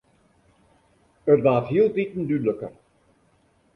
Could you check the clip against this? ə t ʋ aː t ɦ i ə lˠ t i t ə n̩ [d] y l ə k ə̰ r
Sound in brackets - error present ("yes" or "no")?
no